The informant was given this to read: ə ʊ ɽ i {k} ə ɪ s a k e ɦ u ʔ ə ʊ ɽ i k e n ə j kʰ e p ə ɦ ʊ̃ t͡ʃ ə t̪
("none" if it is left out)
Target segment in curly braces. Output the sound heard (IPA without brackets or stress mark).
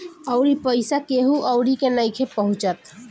p